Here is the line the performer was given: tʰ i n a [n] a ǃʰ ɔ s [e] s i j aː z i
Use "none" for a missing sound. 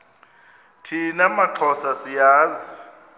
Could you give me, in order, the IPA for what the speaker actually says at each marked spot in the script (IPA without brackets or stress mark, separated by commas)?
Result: m, a